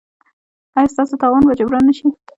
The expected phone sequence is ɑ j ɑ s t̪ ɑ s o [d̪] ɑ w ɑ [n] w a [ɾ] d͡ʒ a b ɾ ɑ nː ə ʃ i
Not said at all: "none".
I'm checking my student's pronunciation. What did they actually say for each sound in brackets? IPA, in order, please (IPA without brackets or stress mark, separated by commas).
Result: t̪, n, none